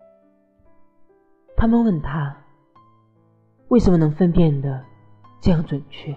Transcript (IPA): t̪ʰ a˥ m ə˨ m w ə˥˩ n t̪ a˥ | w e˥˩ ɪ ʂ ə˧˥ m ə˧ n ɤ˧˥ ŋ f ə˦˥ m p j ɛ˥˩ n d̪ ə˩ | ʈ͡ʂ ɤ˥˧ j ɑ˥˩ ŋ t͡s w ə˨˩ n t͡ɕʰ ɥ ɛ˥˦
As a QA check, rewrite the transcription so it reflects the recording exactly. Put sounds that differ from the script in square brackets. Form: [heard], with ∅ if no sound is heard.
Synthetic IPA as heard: t̪ʰ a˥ m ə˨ [n] w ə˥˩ n [t̪ʰ] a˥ | w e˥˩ ɪ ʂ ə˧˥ m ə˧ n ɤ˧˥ ŋ f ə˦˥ [n] p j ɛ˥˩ n d̪ ə˩ | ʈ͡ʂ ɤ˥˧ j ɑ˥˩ ŋ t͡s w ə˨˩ n t͡ɕʰ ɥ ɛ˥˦